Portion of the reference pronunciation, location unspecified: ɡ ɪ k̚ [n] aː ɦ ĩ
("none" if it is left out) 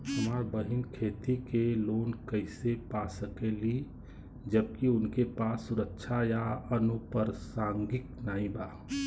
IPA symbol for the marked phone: n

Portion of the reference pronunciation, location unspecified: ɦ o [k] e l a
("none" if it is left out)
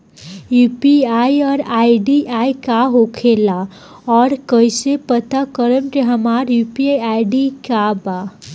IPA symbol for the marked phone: kʰ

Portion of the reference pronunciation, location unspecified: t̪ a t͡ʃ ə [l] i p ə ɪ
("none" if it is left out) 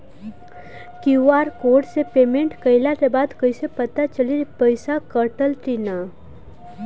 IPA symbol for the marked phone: l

